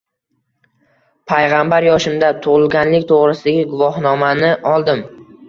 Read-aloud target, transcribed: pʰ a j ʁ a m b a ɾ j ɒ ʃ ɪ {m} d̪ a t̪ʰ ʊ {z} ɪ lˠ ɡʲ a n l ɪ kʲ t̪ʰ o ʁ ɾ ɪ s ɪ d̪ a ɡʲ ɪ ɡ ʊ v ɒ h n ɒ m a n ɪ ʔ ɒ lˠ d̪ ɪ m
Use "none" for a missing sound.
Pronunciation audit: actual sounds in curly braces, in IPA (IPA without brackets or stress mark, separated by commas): m, ʁ